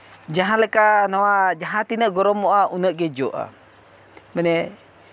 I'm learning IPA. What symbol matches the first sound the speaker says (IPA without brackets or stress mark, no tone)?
d͡ʒ